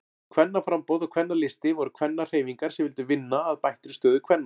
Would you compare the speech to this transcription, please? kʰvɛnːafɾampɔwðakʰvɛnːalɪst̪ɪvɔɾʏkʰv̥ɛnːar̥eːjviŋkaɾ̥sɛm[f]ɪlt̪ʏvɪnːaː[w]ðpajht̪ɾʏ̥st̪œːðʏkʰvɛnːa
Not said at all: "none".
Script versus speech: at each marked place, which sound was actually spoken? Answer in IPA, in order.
v, none

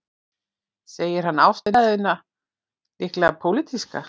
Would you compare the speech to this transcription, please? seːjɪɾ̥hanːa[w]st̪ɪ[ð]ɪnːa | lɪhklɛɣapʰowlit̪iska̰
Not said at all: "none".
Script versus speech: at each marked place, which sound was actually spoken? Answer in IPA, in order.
w, ð

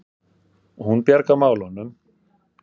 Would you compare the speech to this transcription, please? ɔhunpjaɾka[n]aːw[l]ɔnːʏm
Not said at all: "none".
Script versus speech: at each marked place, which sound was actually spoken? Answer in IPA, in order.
m, l

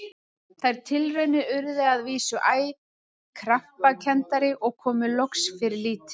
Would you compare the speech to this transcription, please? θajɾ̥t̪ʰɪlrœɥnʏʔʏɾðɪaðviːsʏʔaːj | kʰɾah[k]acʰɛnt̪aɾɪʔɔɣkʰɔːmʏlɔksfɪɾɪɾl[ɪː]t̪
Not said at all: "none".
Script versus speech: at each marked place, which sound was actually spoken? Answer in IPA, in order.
p, iː

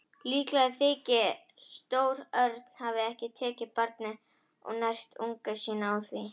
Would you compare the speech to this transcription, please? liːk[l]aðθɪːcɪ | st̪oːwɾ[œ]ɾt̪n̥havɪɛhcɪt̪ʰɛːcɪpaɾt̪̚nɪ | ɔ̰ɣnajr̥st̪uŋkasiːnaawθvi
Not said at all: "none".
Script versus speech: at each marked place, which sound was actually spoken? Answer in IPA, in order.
l, œ

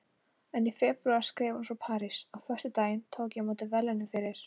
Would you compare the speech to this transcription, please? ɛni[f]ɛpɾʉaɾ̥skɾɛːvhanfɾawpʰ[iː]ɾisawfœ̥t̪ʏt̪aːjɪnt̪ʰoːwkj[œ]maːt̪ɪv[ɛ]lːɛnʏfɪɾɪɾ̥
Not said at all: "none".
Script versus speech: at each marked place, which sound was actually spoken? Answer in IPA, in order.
f, aː, ɛ, ɛ

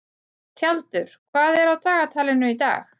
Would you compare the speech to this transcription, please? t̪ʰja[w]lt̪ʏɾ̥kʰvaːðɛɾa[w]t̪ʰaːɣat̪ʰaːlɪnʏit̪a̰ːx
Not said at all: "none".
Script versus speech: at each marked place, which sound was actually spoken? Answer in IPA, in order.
none, w

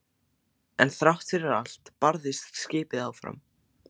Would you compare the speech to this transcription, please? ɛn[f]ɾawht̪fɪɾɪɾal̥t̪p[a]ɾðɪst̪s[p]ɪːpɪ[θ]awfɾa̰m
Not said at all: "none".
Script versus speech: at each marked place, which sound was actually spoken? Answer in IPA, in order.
θ, a, c, ð

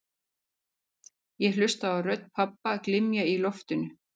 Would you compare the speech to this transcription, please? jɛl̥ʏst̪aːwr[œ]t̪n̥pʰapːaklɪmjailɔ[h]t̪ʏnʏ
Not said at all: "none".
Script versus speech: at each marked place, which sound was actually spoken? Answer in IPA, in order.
œ, f

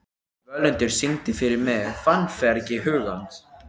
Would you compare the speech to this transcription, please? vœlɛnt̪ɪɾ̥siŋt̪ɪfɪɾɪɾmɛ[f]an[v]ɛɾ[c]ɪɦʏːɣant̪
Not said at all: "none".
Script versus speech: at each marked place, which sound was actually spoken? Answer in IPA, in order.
f, f, c

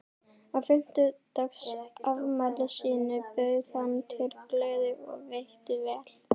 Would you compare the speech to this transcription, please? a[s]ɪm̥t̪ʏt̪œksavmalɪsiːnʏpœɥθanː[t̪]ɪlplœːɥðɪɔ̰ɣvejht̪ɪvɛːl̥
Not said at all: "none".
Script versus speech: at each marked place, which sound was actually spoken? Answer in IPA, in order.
f, t̪ʰ

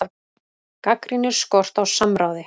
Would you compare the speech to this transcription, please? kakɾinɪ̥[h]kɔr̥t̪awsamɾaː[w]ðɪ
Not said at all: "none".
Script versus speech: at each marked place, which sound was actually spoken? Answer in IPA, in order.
s, w

